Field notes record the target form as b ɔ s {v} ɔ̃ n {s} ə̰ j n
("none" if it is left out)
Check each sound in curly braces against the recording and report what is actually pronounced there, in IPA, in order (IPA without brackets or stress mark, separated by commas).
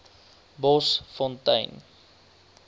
f, t